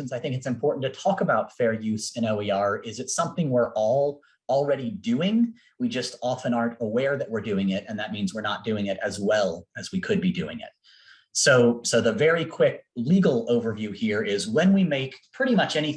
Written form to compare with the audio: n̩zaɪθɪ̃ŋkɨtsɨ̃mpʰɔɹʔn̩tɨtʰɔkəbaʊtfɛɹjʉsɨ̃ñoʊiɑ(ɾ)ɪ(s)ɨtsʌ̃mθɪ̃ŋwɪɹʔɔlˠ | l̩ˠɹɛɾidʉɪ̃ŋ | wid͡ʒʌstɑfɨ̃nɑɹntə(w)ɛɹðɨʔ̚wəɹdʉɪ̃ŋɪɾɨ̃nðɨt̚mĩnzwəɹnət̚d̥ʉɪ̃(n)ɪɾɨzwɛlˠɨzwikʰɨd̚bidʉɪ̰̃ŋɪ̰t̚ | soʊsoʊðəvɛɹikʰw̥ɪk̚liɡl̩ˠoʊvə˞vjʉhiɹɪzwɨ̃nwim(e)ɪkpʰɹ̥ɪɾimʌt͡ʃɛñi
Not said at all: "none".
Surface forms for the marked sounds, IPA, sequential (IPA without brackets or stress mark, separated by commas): ɹ, z, w, ŋ, e